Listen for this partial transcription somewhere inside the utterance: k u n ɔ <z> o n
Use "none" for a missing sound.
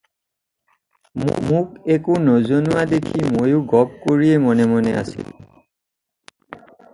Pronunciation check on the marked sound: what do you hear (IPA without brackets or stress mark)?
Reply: z